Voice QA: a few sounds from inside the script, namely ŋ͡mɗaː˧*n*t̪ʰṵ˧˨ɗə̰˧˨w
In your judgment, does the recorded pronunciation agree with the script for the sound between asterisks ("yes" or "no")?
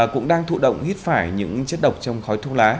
no